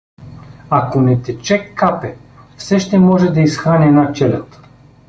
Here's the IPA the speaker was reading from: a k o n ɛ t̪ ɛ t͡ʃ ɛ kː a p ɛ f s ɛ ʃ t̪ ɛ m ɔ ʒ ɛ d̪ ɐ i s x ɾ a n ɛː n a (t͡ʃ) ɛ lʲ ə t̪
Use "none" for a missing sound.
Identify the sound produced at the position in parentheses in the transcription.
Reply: t͡ʃ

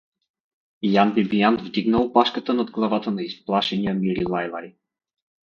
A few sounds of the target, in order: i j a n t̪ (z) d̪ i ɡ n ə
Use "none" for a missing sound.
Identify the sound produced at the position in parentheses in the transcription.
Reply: v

